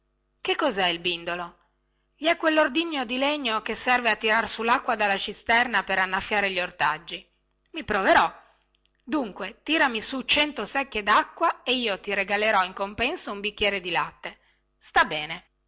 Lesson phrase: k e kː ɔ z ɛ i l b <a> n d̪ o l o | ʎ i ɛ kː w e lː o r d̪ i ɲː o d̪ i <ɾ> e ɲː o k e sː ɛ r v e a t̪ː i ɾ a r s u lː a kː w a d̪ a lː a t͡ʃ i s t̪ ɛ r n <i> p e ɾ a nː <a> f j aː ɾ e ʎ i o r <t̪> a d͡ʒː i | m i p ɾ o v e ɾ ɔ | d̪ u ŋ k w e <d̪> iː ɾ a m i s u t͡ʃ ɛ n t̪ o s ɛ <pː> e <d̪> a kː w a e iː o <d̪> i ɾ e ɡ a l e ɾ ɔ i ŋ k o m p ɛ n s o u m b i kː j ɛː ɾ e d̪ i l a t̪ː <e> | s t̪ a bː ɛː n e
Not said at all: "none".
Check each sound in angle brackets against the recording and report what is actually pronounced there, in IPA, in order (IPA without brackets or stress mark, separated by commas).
i, l, a, a, t̪, t̪, kː, d̪, t̪, e